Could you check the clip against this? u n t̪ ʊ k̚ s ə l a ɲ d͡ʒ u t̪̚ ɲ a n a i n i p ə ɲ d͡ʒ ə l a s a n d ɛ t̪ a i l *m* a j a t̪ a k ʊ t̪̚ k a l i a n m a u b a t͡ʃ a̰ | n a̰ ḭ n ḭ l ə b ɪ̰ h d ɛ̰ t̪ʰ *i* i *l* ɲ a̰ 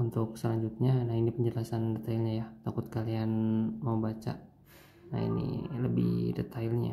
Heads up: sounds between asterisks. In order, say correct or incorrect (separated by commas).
incorrect, incorrect, correct